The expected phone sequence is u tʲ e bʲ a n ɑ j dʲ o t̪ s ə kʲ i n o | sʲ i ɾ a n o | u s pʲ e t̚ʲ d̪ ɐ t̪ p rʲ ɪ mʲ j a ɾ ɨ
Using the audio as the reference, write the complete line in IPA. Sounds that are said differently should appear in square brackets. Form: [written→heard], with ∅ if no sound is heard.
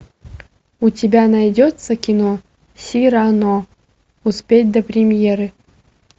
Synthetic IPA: u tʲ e bʲ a n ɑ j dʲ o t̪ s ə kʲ i n o | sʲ i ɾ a n o | u s pʲ e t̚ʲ d̪ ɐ [t̪→∅] p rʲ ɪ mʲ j [a→e] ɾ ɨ